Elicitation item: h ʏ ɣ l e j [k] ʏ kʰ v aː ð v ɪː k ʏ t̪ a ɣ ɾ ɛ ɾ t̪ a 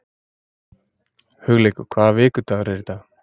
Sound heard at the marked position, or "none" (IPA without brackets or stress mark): k